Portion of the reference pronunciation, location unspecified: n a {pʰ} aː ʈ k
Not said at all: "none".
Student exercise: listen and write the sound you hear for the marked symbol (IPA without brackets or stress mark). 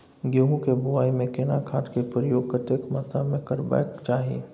kʰ